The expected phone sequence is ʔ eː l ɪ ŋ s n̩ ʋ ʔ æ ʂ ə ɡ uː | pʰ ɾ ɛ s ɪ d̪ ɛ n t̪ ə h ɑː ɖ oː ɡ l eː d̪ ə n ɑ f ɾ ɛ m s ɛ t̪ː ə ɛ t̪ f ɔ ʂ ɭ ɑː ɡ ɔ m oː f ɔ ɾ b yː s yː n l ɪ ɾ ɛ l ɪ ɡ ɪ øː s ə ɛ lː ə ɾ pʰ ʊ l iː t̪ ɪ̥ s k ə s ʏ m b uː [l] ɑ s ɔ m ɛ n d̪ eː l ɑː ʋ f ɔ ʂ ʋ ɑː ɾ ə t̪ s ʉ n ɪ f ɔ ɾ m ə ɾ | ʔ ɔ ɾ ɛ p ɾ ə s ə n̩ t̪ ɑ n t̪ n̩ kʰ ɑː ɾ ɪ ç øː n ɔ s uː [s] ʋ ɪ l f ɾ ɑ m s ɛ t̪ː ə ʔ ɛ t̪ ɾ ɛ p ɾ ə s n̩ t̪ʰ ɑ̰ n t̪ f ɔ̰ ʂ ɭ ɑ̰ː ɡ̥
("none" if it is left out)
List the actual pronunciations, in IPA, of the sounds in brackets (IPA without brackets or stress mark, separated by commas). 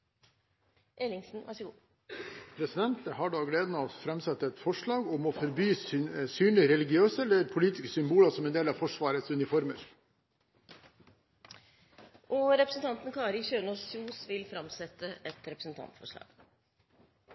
l, s